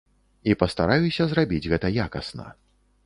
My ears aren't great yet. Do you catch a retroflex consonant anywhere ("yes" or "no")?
no